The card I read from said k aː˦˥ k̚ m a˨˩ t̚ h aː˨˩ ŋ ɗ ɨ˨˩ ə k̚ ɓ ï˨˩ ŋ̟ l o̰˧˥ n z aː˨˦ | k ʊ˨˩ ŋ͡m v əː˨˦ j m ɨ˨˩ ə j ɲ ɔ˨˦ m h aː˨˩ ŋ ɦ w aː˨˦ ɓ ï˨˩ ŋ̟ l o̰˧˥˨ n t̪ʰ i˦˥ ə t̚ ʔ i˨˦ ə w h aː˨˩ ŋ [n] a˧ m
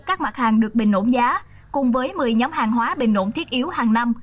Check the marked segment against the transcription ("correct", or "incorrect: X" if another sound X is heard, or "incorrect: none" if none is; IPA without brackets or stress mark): correct